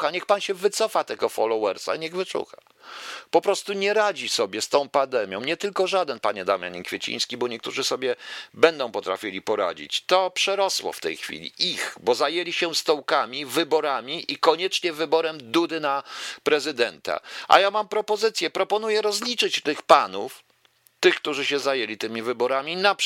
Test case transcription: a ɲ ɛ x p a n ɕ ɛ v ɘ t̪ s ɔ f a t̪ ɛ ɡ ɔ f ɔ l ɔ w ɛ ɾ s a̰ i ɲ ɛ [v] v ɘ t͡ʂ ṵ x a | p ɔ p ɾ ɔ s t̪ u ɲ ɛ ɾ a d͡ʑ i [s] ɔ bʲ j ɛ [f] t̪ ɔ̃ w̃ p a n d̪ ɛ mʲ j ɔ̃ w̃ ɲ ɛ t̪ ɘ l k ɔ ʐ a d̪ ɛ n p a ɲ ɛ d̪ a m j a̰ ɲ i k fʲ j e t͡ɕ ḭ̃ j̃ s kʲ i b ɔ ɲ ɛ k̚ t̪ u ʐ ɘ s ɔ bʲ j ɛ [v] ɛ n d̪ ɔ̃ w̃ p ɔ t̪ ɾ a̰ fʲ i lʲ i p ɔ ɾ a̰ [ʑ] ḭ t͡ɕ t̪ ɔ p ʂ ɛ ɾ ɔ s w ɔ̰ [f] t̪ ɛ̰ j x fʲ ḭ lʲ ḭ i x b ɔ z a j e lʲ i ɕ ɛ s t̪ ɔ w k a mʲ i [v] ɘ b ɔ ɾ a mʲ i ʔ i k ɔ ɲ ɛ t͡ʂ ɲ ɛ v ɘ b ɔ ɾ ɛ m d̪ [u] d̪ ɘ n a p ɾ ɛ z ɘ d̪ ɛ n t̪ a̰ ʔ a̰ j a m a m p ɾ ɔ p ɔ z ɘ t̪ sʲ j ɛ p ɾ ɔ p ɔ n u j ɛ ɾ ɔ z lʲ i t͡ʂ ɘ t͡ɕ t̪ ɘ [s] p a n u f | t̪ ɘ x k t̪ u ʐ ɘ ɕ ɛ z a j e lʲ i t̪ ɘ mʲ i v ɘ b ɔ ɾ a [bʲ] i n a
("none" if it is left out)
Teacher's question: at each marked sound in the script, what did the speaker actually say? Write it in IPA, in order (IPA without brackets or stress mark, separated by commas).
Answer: ɣ, s, s, b, d͡ʑ, f, v, u, x, mʲ